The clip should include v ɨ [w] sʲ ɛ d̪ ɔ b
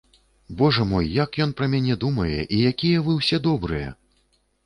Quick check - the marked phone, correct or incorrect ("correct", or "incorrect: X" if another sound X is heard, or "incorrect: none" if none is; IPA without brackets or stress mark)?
correct